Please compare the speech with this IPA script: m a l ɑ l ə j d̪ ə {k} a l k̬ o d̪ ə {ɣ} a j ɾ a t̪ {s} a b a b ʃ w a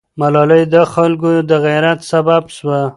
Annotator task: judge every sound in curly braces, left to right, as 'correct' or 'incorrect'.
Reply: incorrect, correct, correct

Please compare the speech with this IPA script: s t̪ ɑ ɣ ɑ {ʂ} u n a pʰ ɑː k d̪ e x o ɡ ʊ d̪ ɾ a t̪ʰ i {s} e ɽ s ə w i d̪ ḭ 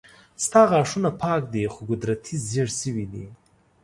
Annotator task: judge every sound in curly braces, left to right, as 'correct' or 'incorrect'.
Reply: correct, incorrect

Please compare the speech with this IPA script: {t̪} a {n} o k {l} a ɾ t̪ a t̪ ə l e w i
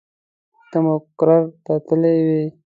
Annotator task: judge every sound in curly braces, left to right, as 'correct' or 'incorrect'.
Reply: correct, incorrect, incorrect

